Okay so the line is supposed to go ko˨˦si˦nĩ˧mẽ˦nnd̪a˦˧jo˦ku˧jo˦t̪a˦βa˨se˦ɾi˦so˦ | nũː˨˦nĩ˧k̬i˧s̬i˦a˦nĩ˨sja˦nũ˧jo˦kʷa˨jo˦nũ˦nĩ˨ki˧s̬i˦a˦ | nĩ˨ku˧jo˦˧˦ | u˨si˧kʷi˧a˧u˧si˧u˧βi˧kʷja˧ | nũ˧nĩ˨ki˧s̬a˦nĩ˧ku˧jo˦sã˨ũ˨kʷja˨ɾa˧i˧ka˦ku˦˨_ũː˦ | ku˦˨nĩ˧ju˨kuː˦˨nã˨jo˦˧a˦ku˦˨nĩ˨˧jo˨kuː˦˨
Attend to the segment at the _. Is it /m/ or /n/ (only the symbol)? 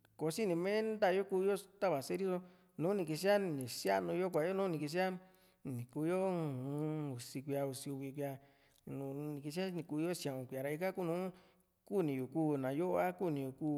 n